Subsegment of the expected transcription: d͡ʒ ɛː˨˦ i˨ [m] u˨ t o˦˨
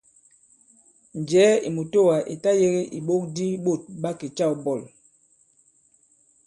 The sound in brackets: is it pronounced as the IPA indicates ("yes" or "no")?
yes